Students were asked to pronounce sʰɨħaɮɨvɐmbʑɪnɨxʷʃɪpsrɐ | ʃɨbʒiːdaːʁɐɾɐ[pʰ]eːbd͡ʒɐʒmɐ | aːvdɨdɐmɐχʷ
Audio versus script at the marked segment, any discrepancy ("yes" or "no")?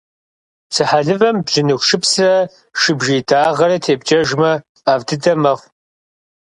yes